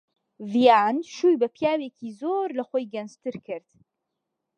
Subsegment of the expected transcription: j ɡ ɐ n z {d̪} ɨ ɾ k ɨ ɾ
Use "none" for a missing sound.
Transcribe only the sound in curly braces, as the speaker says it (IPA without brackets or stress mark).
t̪